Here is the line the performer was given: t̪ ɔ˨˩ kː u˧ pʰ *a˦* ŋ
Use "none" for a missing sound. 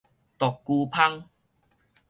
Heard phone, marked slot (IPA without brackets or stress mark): a˦